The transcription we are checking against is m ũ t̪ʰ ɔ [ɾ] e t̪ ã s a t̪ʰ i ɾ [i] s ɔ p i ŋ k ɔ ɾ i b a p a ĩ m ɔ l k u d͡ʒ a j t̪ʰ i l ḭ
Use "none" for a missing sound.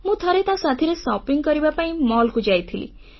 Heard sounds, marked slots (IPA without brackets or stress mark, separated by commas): ɾ, e